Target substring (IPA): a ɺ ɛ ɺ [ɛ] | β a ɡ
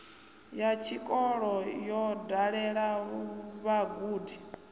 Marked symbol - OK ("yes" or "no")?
no